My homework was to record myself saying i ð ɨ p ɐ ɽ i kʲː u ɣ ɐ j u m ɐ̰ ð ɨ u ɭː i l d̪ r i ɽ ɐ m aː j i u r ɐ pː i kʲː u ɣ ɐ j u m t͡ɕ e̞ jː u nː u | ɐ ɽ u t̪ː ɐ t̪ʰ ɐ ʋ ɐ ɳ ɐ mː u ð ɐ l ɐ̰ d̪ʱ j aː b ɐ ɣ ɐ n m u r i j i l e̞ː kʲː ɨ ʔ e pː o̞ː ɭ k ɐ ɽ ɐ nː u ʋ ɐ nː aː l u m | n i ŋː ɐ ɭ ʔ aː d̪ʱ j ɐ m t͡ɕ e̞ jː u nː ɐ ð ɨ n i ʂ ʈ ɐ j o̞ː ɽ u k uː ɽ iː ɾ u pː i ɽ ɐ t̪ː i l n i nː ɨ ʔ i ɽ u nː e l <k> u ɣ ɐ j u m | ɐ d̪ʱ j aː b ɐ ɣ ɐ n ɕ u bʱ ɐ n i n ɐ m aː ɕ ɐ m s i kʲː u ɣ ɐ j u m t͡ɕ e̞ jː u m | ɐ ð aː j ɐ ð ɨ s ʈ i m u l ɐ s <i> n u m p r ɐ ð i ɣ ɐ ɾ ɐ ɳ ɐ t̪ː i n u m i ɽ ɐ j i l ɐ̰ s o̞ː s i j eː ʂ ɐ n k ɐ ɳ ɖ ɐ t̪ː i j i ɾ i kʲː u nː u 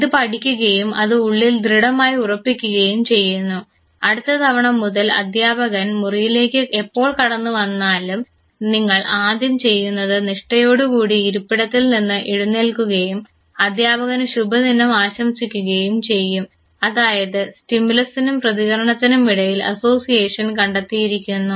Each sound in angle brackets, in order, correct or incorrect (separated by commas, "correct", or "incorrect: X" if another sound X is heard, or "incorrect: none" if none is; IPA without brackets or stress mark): correct, correct